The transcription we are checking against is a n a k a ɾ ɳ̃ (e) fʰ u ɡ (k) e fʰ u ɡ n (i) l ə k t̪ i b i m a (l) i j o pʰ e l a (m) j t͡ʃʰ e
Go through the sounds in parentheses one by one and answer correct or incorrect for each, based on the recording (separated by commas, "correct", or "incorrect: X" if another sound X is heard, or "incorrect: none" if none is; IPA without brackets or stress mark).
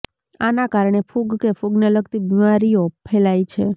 correct, correct, incorrect: e, incorrect: ɾ, incorrect: none